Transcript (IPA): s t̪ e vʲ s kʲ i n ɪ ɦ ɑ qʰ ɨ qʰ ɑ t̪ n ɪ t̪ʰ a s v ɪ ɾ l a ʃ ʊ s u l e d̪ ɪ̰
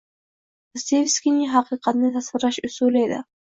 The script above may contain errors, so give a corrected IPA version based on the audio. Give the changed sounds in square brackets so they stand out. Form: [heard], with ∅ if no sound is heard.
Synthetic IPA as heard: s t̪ e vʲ s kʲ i n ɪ ɦ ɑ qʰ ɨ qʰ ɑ t̪ n ɪ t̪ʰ a s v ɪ ɾ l a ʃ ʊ s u l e d̪ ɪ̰